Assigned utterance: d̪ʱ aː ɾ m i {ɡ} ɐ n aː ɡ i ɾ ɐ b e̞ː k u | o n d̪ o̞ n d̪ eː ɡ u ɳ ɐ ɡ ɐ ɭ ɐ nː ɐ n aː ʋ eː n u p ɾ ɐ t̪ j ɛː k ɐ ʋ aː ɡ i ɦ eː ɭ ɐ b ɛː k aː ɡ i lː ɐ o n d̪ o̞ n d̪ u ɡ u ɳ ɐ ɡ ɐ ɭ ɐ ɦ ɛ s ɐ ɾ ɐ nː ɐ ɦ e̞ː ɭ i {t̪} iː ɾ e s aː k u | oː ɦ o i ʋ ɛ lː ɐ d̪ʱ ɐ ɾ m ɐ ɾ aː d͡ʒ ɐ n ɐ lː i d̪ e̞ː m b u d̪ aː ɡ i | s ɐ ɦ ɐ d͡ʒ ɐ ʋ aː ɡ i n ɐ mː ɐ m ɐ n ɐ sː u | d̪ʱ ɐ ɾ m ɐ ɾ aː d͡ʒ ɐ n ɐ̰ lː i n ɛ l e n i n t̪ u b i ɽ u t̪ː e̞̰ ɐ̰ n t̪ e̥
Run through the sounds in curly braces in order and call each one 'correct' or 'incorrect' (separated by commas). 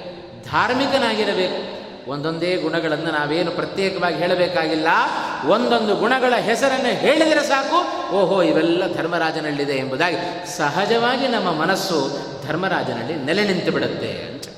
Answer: incorrect, incorrect